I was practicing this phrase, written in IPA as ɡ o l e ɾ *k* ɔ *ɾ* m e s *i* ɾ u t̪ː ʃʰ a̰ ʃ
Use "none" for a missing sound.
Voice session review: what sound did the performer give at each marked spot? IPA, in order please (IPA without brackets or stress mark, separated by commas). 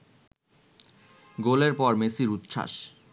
p, ɾ, i